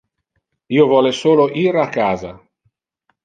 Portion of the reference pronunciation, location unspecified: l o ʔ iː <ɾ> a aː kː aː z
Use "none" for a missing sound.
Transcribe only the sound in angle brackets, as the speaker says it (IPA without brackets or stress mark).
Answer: ɾ